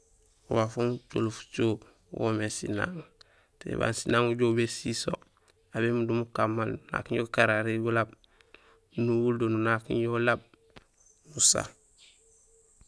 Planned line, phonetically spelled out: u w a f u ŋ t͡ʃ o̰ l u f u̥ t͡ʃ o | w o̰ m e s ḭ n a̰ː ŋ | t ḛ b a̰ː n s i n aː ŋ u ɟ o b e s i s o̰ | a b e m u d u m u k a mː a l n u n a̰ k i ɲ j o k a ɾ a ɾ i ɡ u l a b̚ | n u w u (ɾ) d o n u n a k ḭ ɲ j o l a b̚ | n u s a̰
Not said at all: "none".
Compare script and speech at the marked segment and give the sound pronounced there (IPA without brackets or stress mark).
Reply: l